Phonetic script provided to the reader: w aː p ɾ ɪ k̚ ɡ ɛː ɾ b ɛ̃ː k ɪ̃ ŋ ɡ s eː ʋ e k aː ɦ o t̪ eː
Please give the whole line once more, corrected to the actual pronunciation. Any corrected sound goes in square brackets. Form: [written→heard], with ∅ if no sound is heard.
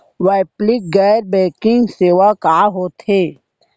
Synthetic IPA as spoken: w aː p [ɾ→l] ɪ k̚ ɡ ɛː ɾ b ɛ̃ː k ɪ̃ ŋ ɡ s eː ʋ [e→a] k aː ɦ o t̪ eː

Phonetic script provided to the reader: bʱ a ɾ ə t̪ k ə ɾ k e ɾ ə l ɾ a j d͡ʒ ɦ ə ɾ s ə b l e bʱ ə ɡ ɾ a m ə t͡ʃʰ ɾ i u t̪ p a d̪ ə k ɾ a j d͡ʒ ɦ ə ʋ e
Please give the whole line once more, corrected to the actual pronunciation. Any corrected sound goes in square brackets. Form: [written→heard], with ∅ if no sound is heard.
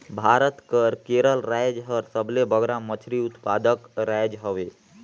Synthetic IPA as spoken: bʱ a ɾ ə t̪ k ə ɾ k e ɾ ə l ɾ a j d͡ʒ ɦ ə ɾ s ə b l e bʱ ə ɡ ɾ a m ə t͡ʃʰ ɾ i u t̪ p a d̪ ə k ɾ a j d͡ʒ ɦ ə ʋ e

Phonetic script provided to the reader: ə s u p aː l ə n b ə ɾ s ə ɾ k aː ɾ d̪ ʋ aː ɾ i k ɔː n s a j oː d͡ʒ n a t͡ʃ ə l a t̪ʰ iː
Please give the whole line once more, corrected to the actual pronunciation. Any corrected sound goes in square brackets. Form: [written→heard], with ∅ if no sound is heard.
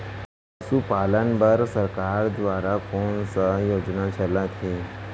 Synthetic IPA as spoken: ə s u p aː l ə n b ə ɾ s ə ɾ k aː ɾ d̪ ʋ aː ɾ [i→a] k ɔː n s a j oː d͡ʒ n a t͡ʃ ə l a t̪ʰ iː

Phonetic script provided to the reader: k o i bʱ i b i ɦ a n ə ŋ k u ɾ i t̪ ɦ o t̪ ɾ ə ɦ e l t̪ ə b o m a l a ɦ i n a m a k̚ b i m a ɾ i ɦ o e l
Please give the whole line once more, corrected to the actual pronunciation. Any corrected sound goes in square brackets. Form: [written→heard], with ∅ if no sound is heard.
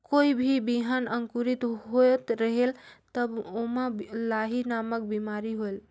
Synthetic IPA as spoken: k o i bʱ i b i ɦ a n ə ŋ k u ɾ i t̪ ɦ o t̪ ɾ ə ɦ e l t̪ ə b o m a l a ɦ i n a m [a→ə] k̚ b i m a ɾ i ɦ o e l

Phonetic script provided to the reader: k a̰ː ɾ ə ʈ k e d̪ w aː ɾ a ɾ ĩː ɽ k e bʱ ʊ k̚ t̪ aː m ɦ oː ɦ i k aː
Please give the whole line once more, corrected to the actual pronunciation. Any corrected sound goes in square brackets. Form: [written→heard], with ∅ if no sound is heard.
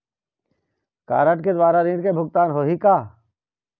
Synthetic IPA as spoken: k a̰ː ɾ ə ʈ k e d̪ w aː ɾ a ɾ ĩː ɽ k e bʱ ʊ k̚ t̪ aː [m→n] ɦ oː ɦ i k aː

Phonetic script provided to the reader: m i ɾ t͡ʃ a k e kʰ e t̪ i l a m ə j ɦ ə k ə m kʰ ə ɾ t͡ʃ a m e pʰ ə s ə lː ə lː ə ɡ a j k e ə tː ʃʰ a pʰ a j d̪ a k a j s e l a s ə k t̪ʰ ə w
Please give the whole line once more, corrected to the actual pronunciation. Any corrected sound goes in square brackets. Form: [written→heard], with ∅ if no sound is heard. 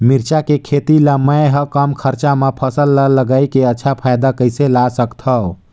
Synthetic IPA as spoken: m i ɾ t͡ʃ a k e kʰ e t̪ i l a m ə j ɦ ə k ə m kʰ ə ɾ t͡ʃ a m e pʰ ə s ə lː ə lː ə ɡ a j k e ə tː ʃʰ a pʰ a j d̪ a k [a→ə] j s e l a s ə k t̪ʰ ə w

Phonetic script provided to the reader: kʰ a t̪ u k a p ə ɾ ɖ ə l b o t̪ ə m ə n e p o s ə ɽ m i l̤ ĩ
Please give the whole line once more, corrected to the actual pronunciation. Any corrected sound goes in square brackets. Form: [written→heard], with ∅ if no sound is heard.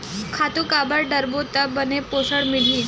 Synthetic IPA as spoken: kʰ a t̪ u k a [p→b] ə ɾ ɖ ə [l→ɾ] b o t̪ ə [m→b] ə n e p o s ə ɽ m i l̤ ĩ

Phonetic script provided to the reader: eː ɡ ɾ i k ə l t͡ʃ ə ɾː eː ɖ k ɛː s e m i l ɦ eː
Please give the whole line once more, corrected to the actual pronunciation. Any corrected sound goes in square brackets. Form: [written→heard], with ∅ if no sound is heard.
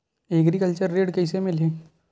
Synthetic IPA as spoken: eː ɡ ɾ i k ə l t͡ʃ ə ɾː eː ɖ k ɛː s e m [i→ɪ] l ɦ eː

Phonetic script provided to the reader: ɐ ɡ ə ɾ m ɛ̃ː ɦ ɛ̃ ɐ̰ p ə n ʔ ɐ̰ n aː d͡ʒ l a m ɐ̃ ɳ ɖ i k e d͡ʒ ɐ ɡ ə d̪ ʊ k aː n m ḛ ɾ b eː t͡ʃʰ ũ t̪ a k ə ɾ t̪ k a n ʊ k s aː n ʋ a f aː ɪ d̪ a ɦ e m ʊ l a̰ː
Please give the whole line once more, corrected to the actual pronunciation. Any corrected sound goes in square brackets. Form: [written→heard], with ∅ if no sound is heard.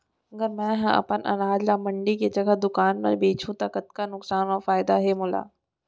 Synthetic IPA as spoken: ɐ ɡ ə ɾ m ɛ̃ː ɦ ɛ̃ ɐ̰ p ə n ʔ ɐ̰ n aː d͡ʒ l a m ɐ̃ ɳ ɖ i k e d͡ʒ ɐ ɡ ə d̪ ʊ k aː n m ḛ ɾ b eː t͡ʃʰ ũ t̪ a k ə [ɾ→∅] t̪ k a n ʊ k s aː n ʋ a f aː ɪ d̪ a ɦ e m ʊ l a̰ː

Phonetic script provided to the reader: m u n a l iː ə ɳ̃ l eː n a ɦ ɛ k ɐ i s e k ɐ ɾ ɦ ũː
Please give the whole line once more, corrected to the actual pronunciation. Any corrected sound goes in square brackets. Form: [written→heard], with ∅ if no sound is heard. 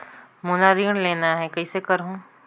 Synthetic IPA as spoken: m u n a [l→ɾ] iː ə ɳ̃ l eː n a ɦ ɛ k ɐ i s e k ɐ ɾ ɦ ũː

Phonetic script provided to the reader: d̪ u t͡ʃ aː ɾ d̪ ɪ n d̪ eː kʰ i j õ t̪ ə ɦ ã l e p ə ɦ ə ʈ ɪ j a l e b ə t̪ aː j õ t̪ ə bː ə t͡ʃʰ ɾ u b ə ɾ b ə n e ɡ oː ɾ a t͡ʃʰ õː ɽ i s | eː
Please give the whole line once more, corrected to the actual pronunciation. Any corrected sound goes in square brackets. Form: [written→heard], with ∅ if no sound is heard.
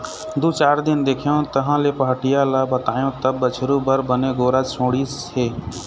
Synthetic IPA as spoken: d̪ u t͡ʃ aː ɾ d̪ ɪ n d̪ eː kʰ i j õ t̪ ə ɦ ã l e p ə ɦ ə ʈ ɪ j a l [e→a] b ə t̪ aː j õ t̪ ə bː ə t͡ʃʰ ɾ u b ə ɾ b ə n e ɡ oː ɾ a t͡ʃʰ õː ɽ i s | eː

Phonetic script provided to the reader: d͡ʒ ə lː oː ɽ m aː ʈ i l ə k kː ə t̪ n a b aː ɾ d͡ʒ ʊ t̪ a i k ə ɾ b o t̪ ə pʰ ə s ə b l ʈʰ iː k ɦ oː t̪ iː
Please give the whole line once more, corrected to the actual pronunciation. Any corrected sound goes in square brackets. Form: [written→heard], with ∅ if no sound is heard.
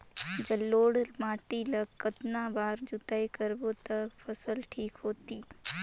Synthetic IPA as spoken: d͡ʒ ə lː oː ɽ m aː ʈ i l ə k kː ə t̪ n a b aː ɾ d͡ʒ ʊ t̪ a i k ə ɾ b o t̪ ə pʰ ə s ə [b→∅] l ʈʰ iː k ɦ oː t̪ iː

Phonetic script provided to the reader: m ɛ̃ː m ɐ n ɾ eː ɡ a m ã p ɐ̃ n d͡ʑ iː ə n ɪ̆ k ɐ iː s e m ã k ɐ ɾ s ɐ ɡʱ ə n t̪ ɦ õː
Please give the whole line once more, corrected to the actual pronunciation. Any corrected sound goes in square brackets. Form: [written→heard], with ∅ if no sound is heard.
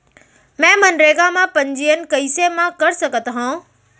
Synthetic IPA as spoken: m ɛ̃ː m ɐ n ɾ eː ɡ a m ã p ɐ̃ [n→ɲ] d͡ʑ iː ə n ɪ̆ k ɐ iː s e m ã k ɐ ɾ s ɐ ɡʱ ə [n→∅] t̪ ɦ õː

